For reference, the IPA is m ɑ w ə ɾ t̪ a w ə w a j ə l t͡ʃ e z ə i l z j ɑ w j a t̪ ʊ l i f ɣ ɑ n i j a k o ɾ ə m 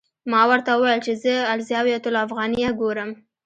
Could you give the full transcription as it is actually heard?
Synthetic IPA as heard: m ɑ w ə ɾ t̪ a w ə w a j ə l t͡ʃ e z ə a l z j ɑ w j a t̪ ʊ l a f ɣ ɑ n i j a ɡ o ɾ ə m